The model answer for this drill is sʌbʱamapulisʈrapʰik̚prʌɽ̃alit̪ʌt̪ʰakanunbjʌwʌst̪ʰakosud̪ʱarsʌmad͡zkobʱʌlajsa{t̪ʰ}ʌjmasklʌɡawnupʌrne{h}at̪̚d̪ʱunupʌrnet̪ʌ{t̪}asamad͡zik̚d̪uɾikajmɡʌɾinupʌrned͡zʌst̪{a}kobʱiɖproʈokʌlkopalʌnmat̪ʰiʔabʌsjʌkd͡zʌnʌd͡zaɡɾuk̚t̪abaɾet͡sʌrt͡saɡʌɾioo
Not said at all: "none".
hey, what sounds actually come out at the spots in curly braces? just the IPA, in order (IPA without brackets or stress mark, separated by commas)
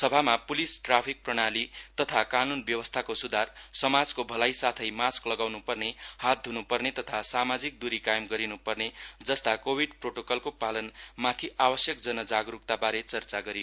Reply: t̪ʰ, h, t̪ʰ, a